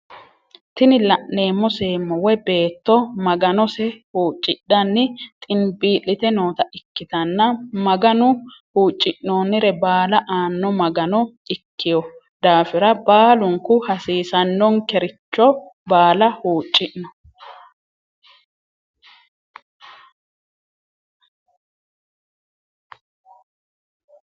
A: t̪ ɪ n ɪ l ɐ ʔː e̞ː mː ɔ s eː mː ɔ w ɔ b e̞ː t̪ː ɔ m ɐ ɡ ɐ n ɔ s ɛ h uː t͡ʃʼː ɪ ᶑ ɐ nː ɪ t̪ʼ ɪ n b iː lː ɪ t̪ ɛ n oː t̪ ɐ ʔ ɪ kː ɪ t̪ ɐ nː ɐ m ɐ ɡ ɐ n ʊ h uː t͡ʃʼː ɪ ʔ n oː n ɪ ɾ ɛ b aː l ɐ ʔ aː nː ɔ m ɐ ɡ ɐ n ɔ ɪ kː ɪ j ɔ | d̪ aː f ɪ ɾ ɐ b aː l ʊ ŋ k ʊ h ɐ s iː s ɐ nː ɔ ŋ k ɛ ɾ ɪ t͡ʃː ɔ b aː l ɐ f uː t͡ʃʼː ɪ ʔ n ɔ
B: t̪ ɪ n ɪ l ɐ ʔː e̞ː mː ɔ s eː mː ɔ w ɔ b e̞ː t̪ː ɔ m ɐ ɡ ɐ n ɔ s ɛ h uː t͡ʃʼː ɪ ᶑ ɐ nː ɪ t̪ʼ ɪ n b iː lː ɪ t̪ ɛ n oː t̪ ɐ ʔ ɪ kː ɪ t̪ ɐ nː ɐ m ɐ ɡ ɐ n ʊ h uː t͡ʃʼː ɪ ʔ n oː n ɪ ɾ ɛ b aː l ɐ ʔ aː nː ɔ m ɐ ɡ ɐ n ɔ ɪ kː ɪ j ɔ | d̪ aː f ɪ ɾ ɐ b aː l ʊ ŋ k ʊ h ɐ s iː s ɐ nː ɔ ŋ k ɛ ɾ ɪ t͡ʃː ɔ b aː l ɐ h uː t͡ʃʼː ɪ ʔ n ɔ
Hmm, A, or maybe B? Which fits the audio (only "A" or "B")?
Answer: B